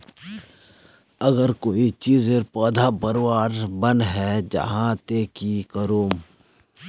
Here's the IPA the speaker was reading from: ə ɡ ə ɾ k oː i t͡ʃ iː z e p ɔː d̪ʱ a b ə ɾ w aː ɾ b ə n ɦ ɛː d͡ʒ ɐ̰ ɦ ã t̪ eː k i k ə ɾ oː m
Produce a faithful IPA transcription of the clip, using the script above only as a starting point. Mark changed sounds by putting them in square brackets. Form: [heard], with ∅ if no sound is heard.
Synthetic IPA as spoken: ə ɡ ə ɾ k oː i t͡ʃ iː z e p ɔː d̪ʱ a b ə ɾ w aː ɾ b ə n ɦ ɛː d͡ʒ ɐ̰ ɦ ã t̪ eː k i k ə ɾ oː m